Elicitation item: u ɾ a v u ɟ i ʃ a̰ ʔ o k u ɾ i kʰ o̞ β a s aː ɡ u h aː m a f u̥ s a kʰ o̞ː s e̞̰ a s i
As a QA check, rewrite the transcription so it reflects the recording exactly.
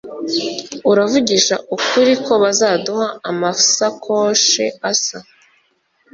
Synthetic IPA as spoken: u ɾ a v u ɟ i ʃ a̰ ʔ u k u ɾ i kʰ o̞ β a z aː d u h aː m a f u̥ s a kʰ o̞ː ʃ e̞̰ a s a